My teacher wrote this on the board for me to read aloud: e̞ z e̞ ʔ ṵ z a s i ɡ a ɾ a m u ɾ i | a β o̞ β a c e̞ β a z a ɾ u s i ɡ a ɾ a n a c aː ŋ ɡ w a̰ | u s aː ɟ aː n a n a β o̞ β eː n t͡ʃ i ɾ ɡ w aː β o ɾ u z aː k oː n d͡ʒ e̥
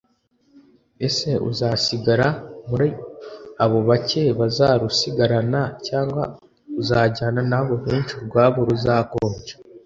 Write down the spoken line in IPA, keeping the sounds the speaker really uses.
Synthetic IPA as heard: e̞ s e̞ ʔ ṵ z a s i ɡ a ɾ a m u ɾ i | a β o̞ β a c e̞ β a z a ɾ u s i ɡ a ɾ a n a c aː ŋ ɡ w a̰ | u z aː ɟ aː n a n a β o̞ β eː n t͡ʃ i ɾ ɡ w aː β o ɾ u z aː k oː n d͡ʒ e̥